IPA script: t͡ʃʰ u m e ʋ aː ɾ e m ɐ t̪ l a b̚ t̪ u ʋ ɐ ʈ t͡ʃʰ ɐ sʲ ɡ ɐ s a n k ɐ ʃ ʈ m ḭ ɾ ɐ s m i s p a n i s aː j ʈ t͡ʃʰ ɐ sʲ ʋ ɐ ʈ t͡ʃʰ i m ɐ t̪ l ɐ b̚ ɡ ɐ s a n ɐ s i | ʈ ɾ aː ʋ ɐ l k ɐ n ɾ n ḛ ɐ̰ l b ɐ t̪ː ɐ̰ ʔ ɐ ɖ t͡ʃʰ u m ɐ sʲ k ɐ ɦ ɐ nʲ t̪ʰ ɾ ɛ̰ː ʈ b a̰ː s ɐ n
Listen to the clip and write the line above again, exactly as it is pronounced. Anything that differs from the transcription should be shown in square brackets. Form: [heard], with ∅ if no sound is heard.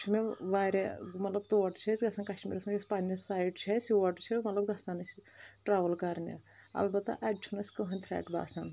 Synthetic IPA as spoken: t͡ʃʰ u m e ʋ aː ɾ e m ɐ t̪ l [ɐ] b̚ t̪ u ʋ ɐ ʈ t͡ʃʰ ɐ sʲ ɡ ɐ s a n k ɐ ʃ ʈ m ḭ ɾ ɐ s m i s p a n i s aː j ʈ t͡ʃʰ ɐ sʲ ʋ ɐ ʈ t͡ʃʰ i m ɐ t̪ l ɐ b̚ ɡ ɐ s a n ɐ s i | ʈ ɾ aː ʋ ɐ l k ɐ [∅] ɾ n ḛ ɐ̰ l b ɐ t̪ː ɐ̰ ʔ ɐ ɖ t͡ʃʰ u [n] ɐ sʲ k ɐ ɦ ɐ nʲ t̪ʰ ɾ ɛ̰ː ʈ b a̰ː s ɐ n

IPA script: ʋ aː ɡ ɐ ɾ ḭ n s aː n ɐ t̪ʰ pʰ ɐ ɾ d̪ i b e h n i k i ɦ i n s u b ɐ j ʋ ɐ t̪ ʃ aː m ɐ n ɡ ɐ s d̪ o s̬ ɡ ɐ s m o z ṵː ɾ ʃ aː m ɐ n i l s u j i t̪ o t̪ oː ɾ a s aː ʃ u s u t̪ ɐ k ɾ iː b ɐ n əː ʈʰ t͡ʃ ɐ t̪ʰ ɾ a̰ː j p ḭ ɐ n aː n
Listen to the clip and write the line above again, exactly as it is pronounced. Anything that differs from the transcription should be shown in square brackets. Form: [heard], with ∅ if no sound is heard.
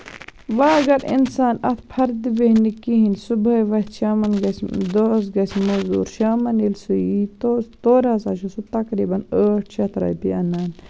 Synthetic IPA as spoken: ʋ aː ɡ ɐ ɾ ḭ n s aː n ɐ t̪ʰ pʰ ɐ ɾ d̪ i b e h n i k i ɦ i n s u b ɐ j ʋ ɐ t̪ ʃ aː m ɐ n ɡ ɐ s d̪ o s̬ ɡ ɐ s m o z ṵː ɾ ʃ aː m ɐ n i l s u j i t̪ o t̪ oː ɾ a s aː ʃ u s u t̪ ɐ k ɾ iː b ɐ n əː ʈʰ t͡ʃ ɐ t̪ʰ ɾ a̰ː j p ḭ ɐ n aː n

